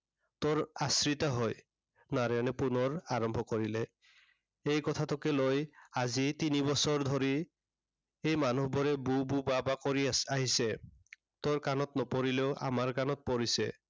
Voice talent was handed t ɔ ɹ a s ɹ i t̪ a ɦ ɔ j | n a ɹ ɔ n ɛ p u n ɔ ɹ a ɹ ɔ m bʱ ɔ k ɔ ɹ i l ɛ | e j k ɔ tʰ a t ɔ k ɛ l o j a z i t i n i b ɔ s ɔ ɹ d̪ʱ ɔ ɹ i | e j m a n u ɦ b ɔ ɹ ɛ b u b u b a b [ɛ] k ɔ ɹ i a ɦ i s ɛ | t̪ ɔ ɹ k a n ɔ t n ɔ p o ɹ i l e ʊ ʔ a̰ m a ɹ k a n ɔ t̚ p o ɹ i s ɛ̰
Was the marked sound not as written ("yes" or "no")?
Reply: yes